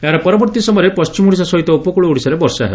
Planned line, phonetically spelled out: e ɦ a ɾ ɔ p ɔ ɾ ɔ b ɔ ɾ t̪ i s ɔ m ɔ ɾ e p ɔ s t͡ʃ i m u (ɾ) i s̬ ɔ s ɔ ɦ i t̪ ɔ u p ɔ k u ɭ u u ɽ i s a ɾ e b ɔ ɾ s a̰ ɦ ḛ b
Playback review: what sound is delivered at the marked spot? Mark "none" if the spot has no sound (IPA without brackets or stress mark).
ɽ